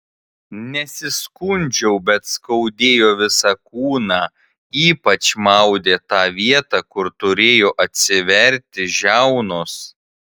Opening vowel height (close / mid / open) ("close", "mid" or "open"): mid